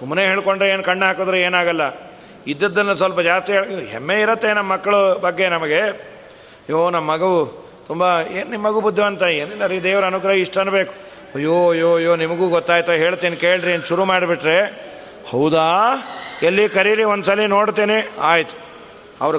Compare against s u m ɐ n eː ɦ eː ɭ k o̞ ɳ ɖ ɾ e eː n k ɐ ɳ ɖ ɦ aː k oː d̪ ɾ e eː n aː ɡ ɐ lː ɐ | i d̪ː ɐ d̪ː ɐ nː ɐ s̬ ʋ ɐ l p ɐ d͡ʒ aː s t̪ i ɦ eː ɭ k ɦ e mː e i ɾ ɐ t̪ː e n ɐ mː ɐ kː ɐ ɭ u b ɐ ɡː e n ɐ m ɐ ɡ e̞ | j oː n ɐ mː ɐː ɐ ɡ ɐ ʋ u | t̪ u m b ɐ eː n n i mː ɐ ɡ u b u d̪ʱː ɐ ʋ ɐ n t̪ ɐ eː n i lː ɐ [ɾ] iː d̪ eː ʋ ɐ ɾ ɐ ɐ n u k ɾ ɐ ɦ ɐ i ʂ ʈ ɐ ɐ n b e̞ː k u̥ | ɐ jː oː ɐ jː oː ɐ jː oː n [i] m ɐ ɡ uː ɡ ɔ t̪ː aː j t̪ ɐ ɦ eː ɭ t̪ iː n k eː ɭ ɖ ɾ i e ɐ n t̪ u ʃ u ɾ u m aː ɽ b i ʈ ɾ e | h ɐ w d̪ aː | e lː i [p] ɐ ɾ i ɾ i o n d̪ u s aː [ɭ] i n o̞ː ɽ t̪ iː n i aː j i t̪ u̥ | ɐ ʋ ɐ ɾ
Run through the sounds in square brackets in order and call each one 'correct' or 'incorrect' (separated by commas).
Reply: correct, correct, incorrect, incorrect